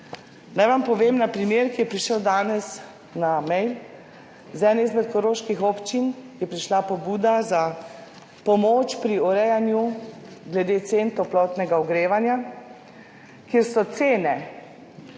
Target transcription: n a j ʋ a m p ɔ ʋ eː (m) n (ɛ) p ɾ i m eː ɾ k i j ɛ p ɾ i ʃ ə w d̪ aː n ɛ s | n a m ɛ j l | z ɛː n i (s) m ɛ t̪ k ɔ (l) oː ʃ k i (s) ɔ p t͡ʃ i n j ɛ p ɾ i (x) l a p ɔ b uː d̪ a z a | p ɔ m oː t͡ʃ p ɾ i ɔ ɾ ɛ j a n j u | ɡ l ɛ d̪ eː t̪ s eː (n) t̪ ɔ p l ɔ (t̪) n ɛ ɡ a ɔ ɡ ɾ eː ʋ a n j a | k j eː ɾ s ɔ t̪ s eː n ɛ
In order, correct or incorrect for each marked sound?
correct, incorrect: a, incorrect: z, incorrect: ɾ, incorrect: x, incorrect: ʃ, correct, correct

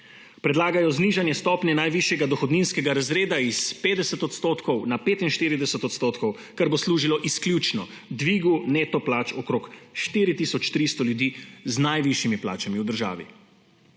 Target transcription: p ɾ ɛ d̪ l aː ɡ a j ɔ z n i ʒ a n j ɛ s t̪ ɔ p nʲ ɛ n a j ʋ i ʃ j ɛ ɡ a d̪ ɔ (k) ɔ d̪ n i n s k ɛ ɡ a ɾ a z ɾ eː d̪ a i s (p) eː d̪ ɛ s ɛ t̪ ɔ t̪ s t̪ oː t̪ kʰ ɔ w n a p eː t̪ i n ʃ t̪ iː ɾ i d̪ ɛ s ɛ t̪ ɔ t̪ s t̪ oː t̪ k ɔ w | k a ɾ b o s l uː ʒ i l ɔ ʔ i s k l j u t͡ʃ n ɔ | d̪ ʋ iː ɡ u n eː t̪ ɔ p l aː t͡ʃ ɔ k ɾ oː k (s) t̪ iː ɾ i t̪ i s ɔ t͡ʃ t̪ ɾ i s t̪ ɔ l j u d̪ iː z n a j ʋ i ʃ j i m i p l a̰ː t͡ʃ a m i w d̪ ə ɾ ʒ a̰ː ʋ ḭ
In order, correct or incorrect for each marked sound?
incorrect: x, correct, incorrect: ʃ

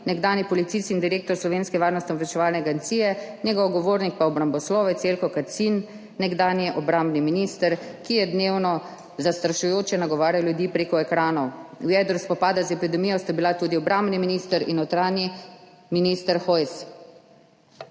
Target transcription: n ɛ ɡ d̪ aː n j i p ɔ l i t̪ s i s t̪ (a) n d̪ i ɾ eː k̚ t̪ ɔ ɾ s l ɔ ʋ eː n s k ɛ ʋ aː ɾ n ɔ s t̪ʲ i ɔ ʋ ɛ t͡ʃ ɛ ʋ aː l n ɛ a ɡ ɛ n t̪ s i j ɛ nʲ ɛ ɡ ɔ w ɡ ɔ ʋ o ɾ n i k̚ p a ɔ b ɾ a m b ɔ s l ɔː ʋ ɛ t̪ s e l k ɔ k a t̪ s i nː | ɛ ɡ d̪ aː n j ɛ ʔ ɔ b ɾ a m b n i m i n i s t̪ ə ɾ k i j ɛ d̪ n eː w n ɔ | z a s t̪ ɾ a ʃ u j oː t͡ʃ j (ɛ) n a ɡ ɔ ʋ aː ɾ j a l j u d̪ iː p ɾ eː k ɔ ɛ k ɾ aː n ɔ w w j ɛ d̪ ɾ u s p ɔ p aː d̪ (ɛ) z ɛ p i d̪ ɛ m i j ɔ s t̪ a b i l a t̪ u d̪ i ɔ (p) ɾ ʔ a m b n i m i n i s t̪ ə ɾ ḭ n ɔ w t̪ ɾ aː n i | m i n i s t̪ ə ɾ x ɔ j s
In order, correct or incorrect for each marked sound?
incorrect: i, correct, incorrect: a, incorrect: b

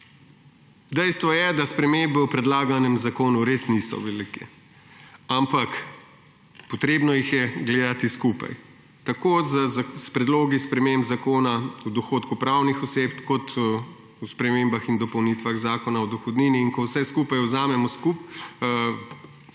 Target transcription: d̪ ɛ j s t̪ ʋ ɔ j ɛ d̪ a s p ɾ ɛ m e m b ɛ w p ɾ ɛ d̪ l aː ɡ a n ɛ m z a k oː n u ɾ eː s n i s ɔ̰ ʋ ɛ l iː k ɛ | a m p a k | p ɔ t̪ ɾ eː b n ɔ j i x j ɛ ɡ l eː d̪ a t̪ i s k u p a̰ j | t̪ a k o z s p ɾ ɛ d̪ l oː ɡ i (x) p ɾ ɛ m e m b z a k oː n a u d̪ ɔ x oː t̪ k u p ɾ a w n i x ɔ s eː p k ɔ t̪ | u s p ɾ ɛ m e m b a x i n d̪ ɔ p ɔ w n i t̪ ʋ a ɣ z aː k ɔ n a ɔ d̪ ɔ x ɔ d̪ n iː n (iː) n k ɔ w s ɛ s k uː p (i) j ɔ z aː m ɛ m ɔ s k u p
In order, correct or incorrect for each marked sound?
incorrect: s, correct, incorrect: a

